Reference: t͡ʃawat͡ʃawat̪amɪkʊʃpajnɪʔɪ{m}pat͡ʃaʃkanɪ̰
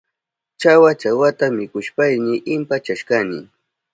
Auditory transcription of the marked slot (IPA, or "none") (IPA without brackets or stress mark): m